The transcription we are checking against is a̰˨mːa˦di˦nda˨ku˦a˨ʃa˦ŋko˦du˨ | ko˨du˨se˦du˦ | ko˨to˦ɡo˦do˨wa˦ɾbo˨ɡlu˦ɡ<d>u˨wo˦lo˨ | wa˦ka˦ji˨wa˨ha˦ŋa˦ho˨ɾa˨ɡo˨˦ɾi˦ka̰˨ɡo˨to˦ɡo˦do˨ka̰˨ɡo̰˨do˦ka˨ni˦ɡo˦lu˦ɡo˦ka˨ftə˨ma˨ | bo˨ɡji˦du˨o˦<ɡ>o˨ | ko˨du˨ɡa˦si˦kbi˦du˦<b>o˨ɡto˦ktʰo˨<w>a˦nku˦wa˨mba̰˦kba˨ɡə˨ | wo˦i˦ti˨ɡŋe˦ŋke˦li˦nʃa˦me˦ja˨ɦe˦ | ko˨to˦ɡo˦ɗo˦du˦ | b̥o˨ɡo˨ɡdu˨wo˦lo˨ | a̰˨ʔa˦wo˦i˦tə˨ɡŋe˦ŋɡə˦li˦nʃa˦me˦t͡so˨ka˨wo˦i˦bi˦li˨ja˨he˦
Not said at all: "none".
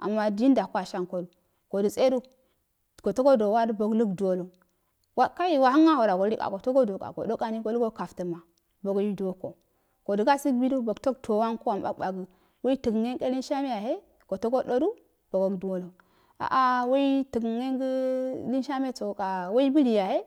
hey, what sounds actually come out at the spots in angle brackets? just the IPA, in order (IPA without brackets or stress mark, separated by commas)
d, k, b, w